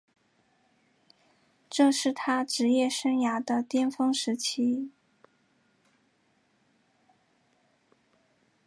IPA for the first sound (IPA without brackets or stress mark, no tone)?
ʈ͡ʂ